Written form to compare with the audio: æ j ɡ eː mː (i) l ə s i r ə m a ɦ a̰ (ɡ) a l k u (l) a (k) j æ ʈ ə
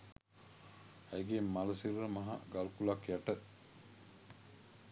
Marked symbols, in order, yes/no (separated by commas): no, yes, yes, yes